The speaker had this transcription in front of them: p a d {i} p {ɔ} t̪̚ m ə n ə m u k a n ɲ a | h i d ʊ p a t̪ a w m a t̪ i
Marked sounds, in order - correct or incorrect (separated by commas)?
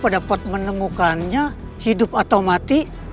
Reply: incorrect, correct